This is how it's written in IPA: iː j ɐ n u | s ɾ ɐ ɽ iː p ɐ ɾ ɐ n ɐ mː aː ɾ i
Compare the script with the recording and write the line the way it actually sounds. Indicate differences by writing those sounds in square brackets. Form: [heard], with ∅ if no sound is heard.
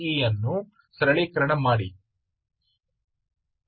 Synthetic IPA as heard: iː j ɐ [nː] u | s ɾ ɐ [ɭ] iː [k] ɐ ɾ ɐ [ɳ] ɐ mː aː [ɽ] i